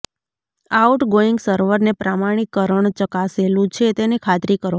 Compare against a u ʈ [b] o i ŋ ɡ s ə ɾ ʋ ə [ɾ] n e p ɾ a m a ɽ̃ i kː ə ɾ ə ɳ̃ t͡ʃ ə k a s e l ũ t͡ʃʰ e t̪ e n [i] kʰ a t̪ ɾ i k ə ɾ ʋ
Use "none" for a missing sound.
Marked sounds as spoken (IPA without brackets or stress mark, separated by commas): ɡ, ɾ, e